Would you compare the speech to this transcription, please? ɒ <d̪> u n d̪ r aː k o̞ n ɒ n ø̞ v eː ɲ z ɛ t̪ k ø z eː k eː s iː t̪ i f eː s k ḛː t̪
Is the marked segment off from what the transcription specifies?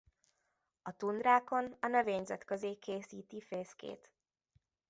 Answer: yes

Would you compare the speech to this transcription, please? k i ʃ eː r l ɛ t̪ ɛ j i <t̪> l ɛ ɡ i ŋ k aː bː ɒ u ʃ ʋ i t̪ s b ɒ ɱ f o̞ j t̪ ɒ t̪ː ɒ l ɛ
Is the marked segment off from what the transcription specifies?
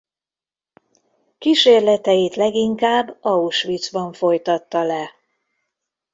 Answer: no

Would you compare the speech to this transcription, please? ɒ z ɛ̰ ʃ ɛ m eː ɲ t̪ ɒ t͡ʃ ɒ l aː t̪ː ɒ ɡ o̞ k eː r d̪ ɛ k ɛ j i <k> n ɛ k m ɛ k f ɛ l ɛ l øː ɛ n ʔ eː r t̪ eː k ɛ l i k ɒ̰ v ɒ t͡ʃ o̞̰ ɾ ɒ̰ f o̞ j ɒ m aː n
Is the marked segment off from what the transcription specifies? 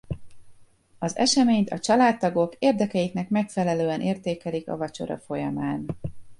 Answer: no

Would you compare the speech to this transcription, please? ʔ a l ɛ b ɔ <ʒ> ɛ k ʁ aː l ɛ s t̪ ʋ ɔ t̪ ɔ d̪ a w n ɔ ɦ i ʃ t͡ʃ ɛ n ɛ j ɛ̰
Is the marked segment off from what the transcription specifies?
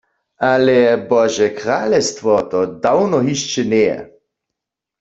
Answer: no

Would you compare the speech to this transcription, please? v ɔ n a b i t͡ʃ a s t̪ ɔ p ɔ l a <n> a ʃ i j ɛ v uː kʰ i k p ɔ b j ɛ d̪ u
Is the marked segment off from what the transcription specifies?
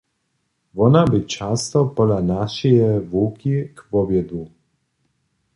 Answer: no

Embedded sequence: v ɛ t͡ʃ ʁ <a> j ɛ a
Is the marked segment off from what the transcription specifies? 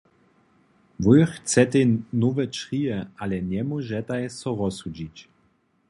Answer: yes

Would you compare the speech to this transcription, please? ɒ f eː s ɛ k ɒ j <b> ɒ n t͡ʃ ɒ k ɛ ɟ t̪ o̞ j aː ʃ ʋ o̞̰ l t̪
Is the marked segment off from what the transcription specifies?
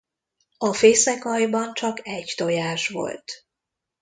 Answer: no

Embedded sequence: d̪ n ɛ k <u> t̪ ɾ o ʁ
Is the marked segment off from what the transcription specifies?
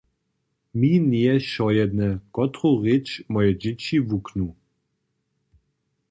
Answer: yes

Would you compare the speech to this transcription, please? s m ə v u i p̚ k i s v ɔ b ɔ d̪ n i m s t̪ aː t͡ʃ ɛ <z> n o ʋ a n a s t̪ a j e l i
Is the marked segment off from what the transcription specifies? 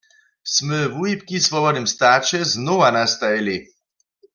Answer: no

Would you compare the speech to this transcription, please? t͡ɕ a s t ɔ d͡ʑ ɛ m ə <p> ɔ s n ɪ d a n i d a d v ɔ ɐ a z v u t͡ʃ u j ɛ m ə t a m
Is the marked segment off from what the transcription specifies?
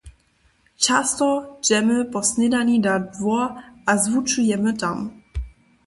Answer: no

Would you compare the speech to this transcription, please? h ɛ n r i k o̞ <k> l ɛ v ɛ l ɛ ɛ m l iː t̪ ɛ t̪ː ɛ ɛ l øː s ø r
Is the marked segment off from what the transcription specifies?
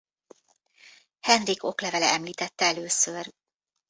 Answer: no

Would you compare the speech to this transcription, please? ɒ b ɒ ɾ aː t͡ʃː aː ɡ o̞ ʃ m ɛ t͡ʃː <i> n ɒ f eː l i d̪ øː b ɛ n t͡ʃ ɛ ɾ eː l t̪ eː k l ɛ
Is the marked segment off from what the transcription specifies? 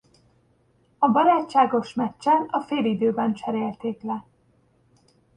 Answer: yes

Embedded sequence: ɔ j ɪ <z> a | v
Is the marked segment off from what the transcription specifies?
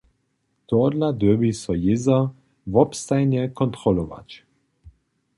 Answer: no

